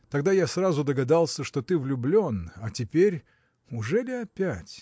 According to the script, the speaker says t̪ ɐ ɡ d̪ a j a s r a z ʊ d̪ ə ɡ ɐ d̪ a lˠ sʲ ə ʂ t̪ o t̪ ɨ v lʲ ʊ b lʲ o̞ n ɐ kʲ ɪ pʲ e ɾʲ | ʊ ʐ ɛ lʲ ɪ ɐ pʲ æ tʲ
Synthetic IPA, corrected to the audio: t̪ ɐ ɡ d̪ a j a s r a z ʊ d̪ ə ɡ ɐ d̪ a lˠ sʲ ə ʂ t̪ o t̪ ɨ v lʲ ʊ b lʲ o̞ n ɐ tʲ ɪ pʲ e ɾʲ | ʊ ʐ ɛ lʲ ɪ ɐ pʲ æ tʲ